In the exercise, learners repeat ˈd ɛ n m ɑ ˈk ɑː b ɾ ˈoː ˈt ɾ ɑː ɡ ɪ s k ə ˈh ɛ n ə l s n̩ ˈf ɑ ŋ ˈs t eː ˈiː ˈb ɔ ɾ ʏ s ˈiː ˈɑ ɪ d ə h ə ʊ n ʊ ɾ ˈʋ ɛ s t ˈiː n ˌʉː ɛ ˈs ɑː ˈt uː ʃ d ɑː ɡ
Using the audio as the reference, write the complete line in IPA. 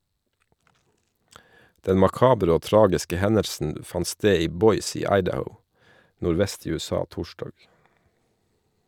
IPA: ˈd ɛ n m ɑ ˈk ɑː b ɾ ˈoː ˈt ɾ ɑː ɡ ɪ s k ə ˈh ɛ n ə ɾ s n̩ ˈf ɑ n ˈs t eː ˈiː ˈb ɔ ʏ s ˈiː ˈɑ ɪ d ə h ə ʊ n ʊ ɾ ˈʋ ɛ s t ˈiː ˌʉː ɛ ˈs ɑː ˈt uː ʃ d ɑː ɡ